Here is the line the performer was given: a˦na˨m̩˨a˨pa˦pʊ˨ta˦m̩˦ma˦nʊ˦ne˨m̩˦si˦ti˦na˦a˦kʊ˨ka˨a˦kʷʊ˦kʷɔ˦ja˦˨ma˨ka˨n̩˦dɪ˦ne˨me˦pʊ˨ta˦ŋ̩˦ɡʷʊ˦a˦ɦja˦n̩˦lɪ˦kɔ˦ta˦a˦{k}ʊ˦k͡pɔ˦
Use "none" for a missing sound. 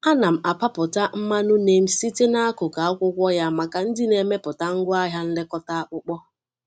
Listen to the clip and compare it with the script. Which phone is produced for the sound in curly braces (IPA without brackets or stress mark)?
k͡p